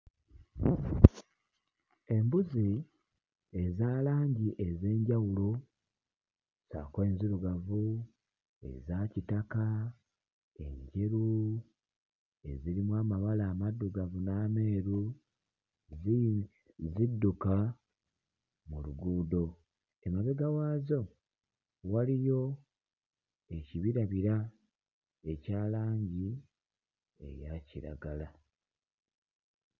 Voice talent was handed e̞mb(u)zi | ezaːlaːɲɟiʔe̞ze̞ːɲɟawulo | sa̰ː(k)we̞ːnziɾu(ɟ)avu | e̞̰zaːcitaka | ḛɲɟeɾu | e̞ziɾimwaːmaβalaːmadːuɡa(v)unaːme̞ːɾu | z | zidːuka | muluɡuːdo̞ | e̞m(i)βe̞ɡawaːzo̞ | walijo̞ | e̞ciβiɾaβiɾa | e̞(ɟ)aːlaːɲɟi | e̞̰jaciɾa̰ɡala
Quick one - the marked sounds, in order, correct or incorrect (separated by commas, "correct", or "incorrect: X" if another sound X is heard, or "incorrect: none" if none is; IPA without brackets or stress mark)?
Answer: correct, correct, incorrect: ɡ, correct, incorrect: a, incorrect: c